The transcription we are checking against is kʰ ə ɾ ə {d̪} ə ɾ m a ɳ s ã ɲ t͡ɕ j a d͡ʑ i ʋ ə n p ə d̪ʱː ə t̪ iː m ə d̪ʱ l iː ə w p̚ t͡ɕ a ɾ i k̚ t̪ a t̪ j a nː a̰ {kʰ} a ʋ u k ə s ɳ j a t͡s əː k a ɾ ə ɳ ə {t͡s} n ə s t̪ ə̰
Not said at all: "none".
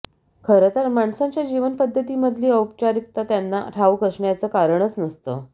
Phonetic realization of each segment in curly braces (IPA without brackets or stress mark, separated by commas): t̪, ʈʰ, t͡s